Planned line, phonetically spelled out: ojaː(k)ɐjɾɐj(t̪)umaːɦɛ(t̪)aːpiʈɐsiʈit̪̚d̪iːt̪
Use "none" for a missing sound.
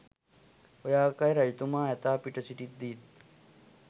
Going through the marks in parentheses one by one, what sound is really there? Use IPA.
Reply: k, t̪, t̪

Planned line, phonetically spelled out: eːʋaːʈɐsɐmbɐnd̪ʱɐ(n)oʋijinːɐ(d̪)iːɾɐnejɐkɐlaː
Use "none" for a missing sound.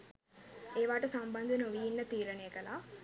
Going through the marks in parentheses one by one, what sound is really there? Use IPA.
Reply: n, t̪

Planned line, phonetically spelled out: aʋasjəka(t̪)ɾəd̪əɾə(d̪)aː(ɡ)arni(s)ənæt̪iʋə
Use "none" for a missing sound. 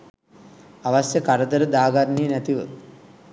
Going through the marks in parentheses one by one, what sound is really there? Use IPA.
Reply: none, d̪, ɡ, none

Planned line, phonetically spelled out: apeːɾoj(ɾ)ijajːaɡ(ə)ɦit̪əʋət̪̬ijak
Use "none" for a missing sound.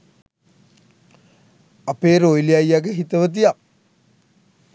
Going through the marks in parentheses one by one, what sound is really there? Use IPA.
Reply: l, ə

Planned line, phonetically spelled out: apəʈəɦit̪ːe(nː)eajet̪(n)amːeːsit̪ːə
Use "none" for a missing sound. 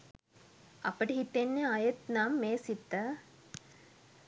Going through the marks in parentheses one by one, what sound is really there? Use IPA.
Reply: nː, n

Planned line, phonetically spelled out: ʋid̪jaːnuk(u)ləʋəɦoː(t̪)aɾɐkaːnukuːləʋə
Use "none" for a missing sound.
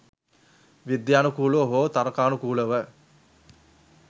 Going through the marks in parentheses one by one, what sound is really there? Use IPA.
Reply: uː, t̪

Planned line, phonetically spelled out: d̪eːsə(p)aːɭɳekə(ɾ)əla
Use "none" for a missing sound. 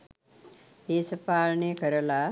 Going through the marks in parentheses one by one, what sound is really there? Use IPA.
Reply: p, ɾ

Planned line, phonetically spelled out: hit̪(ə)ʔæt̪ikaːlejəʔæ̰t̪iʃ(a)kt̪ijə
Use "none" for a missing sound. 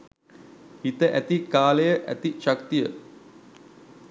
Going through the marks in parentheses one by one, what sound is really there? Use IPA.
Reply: ə, a

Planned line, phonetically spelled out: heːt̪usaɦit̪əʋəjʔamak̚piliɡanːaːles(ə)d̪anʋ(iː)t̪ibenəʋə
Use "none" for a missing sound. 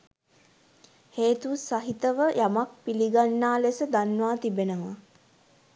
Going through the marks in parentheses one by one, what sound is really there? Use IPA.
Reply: ə, aː

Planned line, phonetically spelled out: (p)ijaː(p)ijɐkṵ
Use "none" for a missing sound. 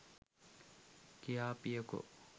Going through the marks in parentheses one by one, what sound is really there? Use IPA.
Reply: k, p

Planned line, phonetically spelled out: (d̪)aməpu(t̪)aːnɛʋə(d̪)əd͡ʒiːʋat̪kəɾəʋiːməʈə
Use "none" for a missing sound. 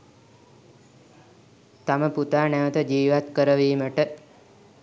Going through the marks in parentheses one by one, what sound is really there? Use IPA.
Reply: t̪, t̪, t̪

